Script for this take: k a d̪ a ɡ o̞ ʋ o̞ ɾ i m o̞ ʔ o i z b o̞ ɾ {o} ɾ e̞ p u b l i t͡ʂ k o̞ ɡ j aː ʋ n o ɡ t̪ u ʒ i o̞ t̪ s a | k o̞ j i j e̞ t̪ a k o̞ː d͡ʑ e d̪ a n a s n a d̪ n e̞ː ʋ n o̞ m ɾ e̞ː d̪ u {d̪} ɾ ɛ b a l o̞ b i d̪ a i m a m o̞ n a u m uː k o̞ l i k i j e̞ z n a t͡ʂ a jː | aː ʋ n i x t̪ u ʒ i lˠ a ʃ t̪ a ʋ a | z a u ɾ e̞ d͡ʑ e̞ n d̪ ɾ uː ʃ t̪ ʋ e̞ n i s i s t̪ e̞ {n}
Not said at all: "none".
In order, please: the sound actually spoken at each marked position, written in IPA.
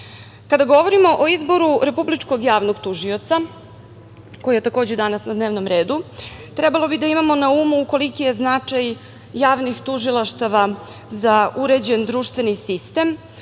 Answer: u, t̪, m

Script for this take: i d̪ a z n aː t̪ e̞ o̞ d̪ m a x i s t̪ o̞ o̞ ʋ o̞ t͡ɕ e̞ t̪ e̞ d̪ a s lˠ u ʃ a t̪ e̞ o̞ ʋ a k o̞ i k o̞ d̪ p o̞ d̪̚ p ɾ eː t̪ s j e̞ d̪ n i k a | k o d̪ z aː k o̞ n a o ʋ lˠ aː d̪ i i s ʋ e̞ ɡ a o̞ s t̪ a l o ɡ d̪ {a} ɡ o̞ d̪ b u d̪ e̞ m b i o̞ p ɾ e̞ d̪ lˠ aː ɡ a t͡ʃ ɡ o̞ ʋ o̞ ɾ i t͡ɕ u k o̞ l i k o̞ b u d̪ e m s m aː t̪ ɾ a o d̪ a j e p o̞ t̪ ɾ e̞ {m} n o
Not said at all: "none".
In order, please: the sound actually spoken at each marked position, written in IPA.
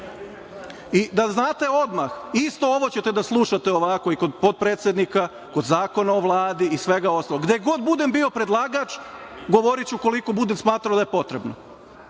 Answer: e, b

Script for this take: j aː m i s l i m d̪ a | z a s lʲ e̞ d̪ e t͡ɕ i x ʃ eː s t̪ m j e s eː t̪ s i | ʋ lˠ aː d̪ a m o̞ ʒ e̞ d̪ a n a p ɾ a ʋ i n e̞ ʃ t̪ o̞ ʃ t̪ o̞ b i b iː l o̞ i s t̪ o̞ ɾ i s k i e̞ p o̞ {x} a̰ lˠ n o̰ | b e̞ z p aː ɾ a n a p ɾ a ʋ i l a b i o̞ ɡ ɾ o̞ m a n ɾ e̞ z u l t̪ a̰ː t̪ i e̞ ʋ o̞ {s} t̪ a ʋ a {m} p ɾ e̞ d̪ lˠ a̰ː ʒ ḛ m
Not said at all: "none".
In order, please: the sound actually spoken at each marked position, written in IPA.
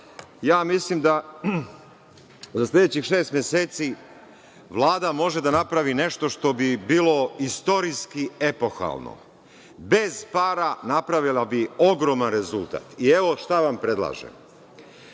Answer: x, ʃ, m

